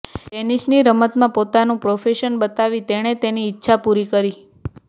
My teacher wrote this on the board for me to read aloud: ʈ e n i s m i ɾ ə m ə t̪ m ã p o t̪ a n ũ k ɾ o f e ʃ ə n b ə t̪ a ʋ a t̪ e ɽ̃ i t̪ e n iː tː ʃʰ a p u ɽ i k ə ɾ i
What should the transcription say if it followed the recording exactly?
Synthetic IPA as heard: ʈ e n i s n i ɾ ə m ə t̪ m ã p o t̪ a n ũ p ɾ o f e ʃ ə n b ə t̪ a ʋ i t̪ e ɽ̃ e t̪ e n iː tː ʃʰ a p u ɾ i k ə ɾ i